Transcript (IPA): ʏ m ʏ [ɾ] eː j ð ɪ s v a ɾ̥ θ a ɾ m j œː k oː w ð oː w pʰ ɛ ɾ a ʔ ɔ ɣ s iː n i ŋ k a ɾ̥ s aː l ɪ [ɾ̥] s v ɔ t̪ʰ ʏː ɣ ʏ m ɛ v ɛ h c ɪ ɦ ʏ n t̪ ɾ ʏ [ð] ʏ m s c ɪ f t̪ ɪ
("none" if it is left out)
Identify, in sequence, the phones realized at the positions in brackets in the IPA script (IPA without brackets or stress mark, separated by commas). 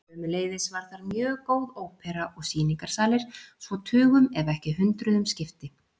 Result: l, ɾ̥, ð